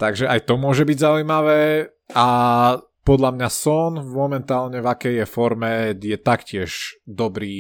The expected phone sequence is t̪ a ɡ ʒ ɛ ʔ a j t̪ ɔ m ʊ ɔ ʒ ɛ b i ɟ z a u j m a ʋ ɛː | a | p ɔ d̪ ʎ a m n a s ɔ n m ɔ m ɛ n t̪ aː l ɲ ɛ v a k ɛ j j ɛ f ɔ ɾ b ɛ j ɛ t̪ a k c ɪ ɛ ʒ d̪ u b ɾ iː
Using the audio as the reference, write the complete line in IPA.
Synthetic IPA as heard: t̪ a ɡ ʒ ɛ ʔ a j t̪ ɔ m ʊ ɔ ʒ ɛ b i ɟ z a u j m a ʋ ɛː | a | p ɔ d̪ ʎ a m ɲ a s ɔ n m ɔ m ɛ n t̪ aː l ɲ ɛ v a k ɛ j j ɛ f ɔ ɾ m ɛ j ɛ t̪ a k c ɪ ɛ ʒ d̪ ɔ b ɾ iː